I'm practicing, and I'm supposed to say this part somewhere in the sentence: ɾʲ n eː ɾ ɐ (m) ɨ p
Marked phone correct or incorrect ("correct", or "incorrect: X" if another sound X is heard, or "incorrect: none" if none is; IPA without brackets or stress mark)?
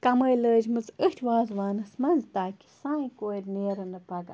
incorrect: n